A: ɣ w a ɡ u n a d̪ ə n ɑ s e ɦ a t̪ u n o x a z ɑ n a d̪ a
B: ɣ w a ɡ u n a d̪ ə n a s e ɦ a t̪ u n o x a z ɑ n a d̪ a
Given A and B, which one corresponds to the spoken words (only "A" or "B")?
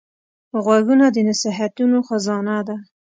B